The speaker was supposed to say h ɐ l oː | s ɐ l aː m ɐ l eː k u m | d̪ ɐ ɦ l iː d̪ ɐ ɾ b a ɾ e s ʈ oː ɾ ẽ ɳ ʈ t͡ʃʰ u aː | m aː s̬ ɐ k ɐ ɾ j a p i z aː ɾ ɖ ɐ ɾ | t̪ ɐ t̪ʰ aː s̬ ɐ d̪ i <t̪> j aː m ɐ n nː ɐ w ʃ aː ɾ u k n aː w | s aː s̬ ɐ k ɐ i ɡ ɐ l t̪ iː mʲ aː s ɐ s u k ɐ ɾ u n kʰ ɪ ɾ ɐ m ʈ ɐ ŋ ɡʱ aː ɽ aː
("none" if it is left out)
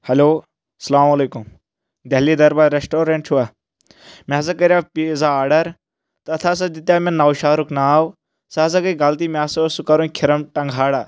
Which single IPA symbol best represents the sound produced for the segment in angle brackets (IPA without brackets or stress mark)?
t̪